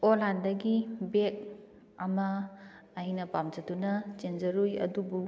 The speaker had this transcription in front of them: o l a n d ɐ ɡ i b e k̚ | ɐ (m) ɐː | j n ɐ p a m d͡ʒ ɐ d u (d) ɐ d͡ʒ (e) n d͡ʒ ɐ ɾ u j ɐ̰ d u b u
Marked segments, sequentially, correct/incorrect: correct, incorrect, correct

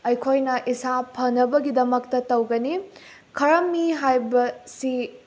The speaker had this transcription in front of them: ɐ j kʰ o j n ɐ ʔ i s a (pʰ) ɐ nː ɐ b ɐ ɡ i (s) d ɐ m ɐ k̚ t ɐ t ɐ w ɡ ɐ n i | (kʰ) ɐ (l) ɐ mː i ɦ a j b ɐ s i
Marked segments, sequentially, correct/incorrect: correct, incorrect, correct, incorrect

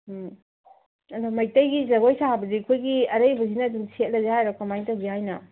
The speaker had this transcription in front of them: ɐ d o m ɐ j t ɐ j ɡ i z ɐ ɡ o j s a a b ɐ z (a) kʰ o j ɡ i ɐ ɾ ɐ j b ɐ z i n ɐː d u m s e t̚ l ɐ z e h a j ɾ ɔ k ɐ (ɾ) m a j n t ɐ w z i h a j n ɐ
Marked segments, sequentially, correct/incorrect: incorrect, incorrect

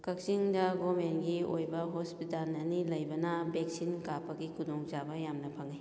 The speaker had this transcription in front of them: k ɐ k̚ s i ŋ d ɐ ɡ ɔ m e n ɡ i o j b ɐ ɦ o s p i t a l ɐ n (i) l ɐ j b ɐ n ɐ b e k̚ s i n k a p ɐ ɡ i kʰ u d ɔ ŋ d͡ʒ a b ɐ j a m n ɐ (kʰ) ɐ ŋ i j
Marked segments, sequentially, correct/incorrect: correct, incorrect

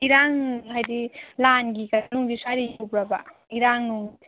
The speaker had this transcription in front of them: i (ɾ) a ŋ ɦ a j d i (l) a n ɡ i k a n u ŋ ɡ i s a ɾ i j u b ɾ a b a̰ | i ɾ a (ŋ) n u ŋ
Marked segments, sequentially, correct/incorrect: correct, correct, correct

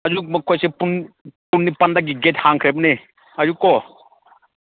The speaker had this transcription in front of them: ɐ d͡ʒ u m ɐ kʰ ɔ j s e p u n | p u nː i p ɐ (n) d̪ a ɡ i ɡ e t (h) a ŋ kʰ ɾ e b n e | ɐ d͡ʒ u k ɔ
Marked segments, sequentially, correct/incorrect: correct, correct

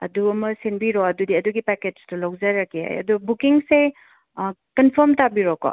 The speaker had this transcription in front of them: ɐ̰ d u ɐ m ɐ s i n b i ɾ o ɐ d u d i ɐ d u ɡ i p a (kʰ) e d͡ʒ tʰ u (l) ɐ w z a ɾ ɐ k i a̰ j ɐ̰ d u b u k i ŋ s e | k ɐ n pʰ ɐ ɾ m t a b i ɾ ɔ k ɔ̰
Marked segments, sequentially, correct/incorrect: incorrect, correct

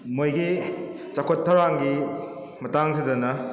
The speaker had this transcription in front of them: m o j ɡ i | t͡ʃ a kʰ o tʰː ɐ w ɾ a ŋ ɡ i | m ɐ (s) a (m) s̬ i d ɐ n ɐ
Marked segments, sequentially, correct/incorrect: incorrect, incorrect

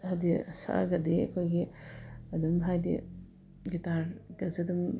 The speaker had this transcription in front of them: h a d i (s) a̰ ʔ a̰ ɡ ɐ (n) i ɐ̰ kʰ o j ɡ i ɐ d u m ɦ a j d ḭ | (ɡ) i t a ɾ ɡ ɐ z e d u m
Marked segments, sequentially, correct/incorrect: correct, incorrect, correct

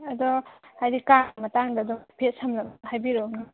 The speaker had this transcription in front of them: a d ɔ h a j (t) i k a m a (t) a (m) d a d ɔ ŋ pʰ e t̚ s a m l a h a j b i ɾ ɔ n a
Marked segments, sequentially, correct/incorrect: incorrect, correct, incorrect

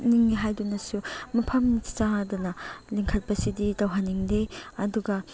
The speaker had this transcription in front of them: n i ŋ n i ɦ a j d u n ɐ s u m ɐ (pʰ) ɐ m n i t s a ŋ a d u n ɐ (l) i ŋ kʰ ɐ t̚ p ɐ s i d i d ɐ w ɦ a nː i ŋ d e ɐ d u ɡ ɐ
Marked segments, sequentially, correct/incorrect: correct, correct

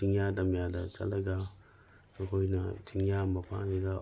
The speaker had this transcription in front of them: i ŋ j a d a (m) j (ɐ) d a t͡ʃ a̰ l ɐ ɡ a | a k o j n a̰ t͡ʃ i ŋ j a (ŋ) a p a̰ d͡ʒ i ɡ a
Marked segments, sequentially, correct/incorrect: correct, incorrect, incorrect

